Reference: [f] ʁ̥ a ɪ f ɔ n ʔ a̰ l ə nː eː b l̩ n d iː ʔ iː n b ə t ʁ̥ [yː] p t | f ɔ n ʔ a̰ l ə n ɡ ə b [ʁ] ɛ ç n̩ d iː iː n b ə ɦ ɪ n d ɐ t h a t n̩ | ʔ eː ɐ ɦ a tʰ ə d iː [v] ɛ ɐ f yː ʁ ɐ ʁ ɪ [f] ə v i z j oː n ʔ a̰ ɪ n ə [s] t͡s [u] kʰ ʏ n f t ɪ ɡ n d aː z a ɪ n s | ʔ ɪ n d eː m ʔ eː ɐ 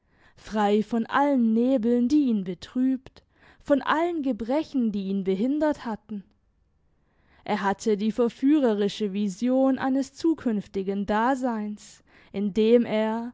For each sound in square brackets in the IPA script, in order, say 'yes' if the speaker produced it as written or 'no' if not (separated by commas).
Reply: yes, yes, yes, no, no, yes, no